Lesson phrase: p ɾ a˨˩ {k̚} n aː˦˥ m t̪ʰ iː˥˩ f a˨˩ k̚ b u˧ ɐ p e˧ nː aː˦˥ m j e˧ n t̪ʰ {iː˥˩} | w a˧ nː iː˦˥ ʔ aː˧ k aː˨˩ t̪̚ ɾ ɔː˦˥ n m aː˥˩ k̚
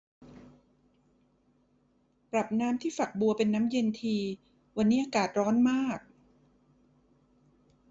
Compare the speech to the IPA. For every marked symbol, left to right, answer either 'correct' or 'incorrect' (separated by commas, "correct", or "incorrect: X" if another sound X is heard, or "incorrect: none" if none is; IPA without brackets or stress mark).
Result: incorrect: p̚, incorrect: iː˧